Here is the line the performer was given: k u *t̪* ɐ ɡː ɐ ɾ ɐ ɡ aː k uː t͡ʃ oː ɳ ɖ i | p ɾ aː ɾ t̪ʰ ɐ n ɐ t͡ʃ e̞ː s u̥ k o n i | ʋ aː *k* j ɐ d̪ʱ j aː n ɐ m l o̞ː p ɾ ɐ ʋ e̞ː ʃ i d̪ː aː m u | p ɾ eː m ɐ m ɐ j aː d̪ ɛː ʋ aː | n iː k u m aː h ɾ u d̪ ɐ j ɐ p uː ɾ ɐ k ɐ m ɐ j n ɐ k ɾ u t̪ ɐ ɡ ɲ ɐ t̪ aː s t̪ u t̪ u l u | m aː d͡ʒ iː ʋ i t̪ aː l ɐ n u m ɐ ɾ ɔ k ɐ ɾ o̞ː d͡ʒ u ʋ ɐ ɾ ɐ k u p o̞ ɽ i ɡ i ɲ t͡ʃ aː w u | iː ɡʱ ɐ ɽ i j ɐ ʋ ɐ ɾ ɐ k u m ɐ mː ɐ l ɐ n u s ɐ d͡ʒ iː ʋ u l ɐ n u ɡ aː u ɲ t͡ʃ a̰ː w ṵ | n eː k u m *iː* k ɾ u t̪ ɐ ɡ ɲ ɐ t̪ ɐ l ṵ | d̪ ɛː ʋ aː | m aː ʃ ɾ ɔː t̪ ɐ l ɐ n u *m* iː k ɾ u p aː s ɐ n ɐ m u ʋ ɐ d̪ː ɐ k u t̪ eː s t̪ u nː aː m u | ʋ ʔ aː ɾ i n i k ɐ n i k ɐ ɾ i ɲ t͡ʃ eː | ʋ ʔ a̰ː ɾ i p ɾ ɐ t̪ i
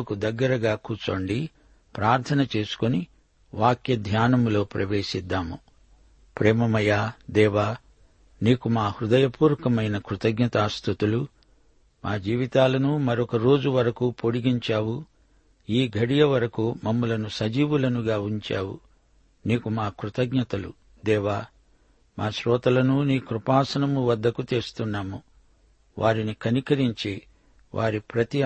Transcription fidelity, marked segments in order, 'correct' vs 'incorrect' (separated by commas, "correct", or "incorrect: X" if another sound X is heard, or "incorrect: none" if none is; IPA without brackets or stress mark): incorrect: d̪, correct, incorrect: aː, incorrect: n